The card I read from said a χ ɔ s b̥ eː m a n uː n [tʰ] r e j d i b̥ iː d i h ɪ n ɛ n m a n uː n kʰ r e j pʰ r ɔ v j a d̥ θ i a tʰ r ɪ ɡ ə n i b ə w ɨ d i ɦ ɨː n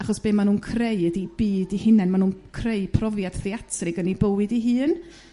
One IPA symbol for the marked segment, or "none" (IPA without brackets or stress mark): kʰ